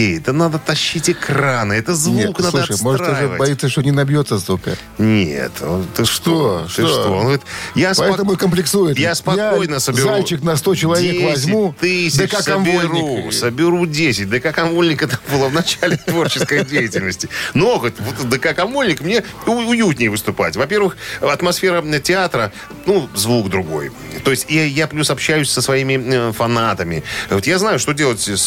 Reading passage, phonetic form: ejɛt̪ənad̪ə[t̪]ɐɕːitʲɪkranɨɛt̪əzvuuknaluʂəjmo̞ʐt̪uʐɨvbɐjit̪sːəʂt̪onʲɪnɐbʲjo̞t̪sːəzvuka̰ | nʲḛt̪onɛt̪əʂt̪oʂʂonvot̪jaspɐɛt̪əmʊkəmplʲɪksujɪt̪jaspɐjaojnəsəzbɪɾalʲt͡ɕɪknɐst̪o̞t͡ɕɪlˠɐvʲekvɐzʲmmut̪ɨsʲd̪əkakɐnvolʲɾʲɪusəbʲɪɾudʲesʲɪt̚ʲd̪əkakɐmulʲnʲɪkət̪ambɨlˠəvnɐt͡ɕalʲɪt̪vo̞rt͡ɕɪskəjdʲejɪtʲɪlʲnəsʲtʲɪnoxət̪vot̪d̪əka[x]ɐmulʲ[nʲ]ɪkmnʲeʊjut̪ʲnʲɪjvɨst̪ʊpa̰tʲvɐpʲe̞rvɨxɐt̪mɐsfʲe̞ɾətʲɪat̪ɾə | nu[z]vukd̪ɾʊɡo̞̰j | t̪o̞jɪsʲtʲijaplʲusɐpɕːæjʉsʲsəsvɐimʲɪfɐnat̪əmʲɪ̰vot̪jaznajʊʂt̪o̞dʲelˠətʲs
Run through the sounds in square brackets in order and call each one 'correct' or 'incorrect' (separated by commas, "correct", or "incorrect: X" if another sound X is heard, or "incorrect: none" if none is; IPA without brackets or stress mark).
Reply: correct, incorrect: k, correct, correct